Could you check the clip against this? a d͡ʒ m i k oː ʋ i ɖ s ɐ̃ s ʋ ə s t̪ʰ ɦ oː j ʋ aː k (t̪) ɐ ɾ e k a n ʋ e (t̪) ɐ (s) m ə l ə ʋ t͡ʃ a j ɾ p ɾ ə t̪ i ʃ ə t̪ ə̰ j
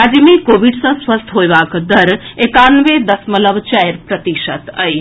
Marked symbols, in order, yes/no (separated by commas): no, no, yes